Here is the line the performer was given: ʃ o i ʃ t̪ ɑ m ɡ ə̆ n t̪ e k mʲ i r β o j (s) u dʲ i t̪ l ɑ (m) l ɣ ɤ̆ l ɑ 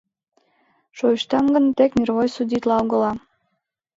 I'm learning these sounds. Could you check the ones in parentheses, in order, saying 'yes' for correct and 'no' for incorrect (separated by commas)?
yes, no